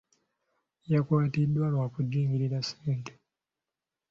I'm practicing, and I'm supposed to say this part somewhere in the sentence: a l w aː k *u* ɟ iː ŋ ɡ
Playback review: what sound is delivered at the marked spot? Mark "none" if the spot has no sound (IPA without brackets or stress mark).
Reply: u